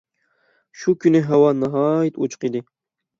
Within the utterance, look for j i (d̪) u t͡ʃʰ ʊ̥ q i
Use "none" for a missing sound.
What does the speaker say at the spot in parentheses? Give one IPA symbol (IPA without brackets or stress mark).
t̪